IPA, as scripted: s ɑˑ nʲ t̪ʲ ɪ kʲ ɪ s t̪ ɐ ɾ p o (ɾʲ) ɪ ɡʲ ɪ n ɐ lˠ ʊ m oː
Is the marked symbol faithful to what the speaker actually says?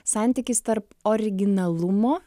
yes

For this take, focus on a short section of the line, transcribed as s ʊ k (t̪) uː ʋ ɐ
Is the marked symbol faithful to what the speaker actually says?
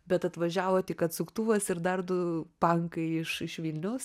yes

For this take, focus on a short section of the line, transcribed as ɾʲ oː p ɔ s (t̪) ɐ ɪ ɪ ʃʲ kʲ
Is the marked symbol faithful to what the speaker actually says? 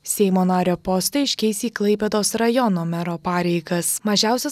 yes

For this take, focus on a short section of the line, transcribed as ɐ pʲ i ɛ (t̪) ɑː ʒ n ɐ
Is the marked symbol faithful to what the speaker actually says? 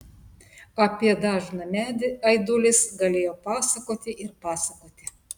no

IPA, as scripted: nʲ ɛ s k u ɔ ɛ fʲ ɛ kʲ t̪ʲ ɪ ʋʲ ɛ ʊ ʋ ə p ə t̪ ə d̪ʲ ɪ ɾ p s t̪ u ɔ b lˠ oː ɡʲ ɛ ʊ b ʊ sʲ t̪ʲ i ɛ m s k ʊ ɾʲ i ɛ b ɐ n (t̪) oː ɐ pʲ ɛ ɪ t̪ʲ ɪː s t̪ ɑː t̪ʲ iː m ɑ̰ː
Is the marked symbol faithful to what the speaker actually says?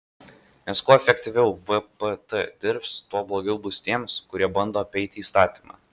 no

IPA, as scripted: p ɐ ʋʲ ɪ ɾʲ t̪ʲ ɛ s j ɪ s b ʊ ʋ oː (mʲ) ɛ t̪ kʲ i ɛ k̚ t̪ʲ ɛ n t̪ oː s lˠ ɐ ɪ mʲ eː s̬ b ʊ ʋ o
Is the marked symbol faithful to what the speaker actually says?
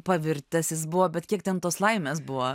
no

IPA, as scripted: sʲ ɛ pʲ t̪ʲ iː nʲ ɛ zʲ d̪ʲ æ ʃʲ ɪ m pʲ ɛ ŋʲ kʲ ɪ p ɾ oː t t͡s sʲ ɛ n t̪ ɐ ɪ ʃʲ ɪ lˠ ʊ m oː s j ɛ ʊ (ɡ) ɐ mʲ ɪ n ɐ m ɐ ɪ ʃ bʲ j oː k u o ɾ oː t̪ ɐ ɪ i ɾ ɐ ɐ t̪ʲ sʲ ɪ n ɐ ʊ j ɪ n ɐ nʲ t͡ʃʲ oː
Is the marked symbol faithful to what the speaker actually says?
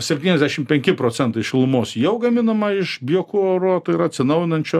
yes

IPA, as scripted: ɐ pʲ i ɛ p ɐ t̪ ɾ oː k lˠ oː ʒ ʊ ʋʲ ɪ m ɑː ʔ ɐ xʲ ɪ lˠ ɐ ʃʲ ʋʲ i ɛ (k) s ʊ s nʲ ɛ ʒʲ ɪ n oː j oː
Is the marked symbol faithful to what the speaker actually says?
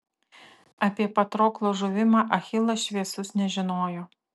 no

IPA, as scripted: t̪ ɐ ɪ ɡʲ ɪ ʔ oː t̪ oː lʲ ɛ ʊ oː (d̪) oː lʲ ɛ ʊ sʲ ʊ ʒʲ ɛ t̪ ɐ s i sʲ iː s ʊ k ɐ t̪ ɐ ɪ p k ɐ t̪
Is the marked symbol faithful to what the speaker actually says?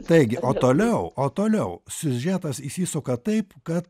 no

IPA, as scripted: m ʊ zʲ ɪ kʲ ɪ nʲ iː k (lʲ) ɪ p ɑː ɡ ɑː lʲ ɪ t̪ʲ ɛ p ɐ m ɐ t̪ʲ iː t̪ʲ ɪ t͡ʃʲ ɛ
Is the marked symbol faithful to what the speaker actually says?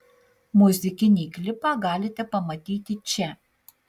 yes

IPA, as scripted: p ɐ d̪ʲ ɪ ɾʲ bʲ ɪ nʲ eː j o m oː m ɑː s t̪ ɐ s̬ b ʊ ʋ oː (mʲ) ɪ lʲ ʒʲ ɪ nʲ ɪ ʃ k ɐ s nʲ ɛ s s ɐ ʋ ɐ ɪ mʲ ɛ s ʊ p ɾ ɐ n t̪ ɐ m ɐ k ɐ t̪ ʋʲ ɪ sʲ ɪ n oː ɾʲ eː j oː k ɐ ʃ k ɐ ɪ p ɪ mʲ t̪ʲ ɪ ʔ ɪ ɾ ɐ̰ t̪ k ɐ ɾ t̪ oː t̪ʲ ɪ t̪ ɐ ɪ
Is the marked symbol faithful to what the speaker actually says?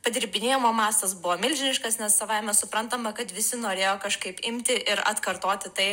yes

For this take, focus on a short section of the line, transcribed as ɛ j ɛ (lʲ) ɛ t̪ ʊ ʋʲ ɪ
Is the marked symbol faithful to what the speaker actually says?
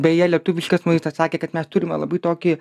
yes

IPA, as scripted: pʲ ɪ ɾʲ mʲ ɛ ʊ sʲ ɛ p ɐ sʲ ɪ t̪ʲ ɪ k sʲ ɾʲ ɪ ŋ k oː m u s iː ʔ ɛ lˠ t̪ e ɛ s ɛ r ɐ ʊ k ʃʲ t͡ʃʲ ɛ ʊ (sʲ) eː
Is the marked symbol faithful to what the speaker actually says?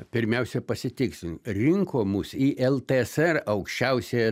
yes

